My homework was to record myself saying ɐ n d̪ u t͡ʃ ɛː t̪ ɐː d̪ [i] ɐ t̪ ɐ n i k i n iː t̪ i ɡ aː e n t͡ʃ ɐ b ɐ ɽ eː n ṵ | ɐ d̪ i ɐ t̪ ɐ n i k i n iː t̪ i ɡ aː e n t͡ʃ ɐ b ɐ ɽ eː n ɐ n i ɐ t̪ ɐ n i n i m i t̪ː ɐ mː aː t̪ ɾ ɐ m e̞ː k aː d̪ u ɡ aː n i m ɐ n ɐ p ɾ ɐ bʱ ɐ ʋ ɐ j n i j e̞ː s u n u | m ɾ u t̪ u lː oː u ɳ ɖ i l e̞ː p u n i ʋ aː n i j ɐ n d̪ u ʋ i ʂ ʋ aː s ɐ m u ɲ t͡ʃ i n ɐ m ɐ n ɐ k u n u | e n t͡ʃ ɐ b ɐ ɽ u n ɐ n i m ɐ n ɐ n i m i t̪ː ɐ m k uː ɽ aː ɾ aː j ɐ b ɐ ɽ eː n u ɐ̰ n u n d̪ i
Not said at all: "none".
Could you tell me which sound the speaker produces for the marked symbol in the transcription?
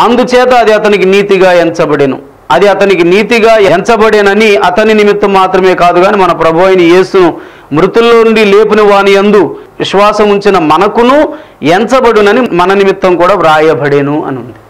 i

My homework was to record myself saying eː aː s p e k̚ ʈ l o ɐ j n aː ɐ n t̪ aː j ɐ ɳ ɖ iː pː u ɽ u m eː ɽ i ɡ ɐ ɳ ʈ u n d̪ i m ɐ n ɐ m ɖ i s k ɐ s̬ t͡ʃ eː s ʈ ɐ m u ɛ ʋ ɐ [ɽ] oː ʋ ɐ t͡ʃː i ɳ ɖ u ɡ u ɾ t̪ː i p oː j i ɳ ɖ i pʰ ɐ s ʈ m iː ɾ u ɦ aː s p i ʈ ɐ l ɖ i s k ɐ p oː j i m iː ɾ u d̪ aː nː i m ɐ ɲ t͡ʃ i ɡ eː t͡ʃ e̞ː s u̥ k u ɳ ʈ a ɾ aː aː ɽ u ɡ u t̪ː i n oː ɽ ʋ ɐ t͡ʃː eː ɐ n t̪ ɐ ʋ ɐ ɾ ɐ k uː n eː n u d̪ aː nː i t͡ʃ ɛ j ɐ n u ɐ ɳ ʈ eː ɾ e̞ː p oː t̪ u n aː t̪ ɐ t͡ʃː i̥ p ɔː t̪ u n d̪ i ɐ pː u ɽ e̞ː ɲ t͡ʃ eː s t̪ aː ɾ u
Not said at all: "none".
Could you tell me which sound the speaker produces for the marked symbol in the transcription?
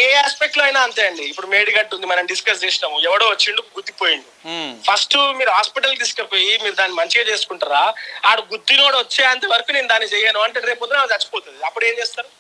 ɽ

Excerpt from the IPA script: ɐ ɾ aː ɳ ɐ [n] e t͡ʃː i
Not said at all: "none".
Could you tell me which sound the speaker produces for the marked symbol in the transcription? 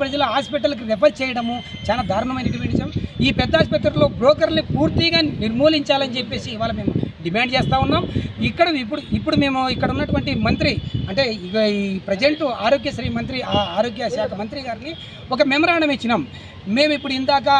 m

